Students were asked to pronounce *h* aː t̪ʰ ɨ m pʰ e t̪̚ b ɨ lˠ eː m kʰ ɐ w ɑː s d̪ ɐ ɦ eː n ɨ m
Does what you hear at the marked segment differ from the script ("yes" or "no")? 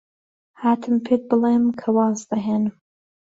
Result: no